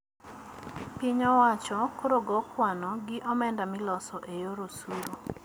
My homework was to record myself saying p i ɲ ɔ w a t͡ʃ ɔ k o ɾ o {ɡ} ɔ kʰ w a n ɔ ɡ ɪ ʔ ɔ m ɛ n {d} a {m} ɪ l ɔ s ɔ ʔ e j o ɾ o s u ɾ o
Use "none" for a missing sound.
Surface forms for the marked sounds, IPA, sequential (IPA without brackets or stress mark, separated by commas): ɡ, d, m